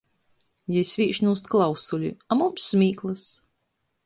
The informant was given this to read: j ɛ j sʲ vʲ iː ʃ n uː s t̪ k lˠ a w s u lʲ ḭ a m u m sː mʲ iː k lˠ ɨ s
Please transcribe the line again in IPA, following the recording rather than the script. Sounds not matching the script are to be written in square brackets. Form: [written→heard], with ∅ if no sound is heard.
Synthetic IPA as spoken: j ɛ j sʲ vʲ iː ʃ n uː s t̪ k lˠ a w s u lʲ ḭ a m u m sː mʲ iː k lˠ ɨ s